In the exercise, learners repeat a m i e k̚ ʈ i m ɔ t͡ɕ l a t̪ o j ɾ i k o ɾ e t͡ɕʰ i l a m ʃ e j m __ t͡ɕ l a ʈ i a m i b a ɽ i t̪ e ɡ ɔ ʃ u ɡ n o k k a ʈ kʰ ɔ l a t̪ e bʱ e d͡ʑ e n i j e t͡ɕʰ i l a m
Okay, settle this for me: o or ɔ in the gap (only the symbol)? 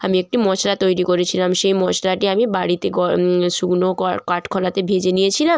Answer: ɔ